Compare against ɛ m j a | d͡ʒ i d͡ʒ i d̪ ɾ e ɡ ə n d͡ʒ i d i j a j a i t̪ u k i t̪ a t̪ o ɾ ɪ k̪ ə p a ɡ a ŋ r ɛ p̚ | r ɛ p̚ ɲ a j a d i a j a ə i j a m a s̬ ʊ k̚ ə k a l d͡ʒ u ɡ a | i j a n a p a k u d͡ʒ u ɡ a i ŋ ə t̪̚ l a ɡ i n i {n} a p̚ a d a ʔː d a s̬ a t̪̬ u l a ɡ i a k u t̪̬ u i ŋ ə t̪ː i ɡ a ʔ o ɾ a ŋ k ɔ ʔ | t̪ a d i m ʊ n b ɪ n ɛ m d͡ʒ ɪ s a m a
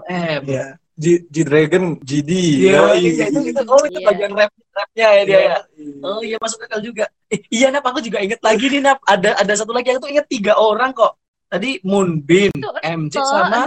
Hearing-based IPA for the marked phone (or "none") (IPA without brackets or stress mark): n